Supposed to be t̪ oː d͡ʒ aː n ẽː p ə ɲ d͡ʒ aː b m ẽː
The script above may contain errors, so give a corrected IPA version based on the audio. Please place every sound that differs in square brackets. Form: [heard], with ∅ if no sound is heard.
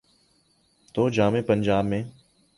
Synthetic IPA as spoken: t̪ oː d͡ʒ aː [m] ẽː p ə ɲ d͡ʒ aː b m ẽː